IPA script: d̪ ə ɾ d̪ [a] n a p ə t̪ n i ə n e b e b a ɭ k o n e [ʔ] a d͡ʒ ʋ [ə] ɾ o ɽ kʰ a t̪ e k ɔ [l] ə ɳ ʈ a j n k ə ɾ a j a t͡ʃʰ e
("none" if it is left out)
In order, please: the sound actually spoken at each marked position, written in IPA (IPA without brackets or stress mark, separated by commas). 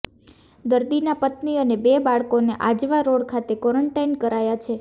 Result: i, ʔ, a, ɾ